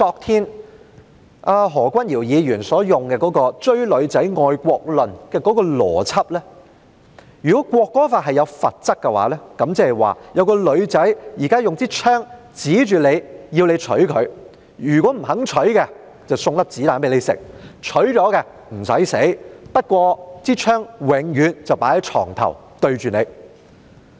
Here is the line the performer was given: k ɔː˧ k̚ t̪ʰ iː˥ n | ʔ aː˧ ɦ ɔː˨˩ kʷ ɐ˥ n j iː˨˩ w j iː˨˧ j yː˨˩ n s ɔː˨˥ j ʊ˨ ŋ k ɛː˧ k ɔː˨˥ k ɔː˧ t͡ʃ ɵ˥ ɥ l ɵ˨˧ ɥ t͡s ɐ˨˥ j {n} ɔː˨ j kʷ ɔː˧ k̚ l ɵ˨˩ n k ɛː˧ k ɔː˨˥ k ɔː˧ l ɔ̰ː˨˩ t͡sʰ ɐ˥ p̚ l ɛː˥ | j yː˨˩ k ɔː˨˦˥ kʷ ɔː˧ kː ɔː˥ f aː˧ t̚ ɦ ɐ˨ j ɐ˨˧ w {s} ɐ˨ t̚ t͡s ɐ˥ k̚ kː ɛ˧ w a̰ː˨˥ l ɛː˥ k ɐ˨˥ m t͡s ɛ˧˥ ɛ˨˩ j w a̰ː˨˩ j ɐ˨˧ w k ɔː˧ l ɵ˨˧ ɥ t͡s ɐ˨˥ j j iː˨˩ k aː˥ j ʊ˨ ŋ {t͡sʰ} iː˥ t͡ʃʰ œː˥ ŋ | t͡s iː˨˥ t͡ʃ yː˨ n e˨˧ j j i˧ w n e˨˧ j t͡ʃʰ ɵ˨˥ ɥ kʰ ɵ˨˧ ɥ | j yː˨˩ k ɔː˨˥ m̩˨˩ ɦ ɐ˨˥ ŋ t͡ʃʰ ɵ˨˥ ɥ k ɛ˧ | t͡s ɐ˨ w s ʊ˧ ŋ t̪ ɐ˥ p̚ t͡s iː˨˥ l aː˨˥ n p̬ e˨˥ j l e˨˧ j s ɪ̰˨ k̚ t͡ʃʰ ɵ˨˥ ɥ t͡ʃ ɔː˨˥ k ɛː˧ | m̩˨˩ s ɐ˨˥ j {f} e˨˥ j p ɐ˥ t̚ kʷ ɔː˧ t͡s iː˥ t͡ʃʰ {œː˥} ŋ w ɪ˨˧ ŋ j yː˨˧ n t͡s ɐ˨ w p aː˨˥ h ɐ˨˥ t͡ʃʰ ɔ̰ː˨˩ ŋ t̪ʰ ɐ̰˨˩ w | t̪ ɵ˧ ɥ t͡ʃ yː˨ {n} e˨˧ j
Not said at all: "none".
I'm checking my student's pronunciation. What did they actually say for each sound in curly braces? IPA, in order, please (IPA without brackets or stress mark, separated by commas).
ŋ, f, t͡s, s, œː˥, n